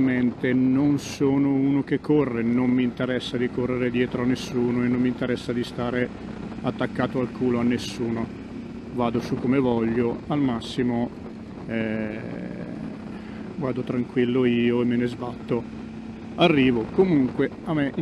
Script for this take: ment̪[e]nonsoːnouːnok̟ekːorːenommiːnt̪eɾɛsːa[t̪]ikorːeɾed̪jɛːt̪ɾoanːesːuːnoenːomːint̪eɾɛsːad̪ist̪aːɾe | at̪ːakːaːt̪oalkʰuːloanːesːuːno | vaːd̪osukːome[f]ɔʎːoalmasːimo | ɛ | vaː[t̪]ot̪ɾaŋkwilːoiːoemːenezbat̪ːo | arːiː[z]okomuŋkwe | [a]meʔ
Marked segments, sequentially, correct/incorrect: correct, incorrect, incorrect, incorrect, incorrect, correct

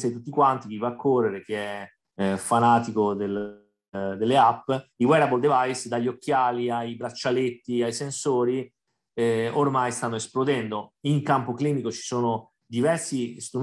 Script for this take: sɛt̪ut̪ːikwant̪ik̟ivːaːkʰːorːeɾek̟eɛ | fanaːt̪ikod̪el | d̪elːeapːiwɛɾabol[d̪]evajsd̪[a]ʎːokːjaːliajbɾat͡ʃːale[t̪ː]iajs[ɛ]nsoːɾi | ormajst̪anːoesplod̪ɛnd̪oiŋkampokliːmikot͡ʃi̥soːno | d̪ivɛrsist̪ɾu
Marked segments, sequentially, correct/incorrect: correct, correct, correct, incorrect

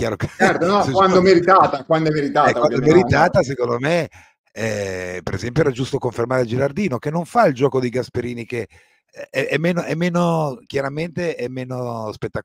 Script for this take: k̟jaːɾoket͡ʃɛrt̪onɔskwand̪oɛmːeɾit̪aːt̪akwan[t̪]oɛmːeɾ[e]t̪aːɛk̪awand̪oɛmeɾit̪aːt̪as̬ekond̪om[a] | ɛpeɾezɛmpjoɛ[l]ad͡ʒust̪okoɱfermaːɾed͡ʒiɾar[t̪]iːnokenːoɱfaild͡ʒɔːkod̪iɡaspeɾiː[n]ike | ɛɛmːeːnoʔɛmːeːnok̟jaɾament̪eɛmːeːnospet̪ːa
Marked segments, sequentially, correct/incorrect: incorrect, incorrect, incorrect, incorrect, incorrect, correct

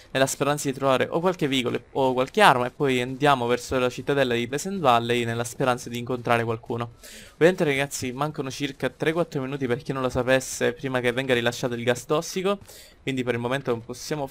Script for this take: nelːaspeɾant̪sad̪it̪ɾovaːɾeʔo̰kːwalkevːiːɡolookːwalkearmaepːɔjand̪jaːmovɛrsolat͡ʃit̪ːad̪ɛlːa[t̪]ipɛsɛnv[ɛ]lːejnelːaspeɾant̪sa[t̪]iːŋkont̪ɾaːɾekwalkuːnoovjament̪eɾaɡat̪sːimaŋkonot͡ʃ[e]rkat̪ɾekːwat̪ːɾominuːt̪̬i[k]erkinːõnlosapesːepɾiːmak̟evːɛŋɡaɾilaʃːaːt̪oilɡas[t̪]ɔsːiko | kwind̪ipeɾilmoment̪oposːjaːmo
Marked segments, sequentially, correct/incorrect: incorrect, incorrect, incorrect, incorrect, incorrect, correct

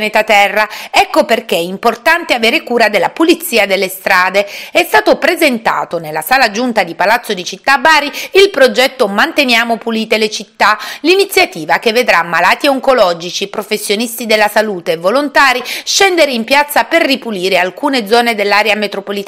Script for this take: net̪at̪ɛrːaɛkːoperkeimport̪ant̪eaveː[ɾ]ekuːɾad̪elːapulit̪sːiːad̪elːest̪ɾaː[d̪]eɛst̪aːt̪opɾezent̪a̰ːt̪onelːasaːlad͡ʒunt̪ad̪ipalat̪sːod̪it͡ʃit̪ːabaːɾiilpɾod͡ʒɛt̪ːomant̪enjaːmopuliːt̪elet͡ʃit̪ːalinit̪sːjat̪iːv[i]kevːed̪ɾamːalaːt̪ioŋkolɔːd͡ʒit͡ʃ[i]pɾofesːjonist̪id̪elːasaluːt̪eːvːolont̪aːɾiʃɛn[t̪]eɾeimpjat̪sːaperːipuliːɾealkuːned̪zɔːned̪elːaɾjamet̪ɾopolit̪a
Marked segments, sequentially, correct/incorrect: correct, correct, incorrect, correct, incorrect

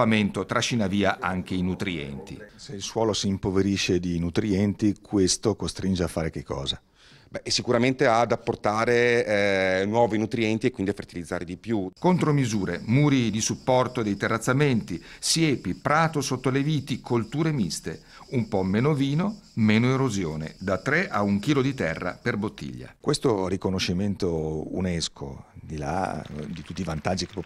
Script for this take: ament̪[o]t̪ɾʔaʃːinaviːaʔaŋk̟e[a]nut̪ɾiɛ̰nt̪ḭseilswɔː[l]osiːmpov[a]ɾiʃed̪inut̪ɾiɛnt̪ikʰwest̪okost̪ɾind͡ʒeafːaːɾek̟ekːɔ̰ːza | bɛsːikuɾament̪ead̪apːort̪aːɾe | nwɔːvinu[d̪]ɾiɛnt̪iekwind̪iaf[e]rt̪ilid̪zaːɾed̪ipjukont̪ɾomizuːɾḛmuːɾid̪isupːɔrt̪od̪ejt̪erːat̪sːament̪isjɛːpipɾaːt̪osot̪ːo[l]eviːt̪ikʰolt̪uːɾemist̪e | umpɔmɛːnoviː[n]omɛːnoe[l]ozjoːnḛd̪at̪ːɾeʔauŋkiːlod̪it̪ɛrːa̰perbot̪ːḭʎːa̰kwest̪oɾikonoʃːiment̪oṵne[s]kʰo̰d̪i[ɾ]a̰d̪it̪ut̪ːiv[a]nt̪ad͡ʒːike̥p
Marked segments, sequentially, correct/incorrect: correct, incorrect, correct, incorrect, incorrect, correct, correct, correct, incorrect, correct, incorrect, correct

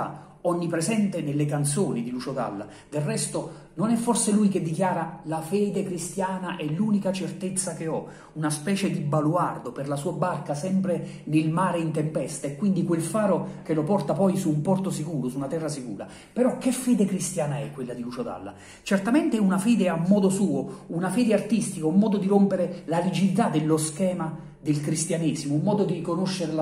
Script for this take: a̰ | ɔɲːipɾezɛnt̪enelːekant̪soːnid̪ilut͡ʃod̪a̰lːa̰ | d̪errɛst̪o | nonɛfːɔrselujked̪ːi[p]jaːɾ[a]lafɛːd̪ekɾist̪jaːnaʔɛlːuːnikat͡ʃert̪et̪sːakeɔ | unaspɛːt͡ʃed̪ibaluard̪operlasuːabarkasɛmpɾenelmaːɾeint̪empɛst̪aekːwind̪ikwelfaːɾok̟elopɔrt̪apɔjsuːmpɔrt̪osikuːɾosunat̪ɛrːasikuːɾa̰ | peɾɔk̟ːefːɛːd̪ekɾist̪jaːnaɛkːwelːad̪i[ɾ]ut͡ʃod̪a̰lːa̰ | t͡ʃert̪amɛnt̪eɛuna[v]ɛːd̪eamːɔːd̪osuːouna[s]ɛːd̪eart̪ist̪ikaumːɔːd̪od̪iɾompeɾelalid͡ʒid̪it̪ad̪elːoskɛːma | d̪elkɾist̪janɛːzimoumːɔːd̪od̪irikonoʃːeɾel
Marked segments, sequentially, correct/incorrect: incorrect, correct, incorrect, incorrect, incorrect

